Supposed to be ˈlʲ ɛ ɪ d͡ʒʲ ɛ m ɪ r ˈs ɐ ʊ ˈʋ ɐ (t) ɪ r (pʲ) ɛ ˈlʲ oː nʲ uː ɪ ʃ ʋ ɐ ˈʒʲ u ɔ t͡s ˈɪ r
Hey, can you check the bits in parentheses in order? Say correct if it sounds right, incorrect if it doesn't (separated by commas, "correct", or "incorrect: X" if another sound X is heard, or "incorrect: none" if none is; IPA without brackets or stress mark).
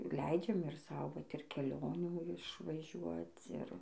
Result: correct, incorrect: kʲ